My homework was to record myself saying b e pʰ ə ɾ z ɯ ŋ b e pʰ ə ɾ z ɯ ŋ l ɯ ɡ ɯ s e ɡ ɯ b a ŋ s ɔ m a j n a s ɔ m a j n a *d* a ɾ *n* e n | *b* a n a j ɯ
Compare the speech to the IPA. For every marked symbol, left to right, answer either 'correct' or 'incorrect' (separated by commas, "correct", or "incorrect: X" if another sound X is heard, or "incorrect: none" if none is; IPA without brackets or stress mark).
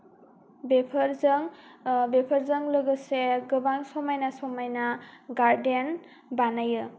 incorrect: ɡ, incorrect: d, correct